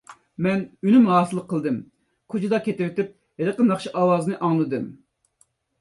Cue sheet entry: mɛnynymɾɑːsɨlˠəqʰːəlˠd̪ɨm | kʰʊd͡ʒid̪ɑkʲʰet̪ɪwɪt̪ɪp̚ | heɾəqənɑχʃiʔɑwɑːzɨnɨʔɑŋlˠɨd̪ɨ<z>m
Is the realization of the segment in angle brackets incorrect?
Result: yes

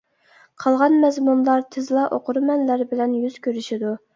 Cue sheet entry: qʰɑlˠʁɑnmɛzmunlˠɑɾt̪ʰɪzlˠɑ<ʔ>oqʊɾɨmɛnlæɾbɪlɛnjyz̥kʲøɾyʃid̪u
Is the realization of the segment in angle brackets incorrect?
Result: no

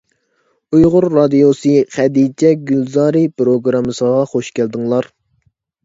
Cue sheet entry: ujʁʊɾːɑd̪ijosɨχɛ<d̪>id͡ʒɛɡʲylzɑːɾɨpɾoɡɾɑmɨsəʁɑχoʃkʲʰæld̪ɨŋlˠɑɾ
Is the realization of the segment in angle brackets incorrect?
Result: no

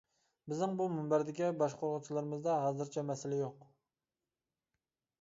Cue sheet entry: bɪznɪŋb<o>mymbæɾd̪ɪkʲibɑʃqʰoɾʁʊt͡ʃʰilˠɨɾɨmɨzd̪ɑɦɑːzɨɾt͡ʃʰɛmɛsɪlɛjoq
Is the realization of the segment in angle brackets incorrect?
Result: yes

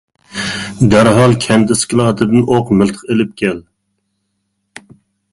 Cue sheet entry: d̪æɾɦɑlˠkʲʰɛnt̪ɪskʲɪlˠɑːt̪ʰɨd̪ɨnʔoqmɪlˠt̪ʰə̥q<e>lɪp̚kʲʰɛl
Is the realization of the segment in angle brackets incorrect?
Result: no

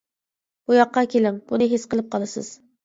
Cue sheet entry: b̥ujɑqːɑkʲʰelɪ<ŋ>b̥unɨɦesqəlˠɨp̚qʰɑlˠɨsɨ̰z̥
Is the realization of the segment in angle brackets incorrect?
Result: no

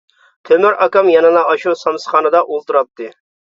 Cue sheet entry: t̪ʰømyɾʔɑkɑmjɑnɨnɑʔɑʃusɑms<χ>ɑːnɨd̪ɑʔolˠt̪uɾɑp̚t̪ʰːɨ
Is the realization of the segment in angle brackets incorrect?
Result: no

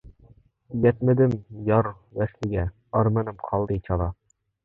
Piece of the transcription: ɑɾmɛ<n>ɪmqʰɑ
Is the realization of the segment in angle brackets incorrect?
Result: no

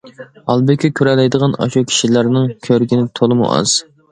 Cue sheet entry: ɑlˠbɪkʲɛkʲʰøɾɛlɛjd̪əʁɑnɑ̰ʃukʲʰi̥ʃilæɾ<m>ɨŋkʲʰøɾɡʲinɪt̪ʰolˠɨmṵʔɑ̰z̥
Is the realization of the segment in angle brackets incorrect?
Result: yes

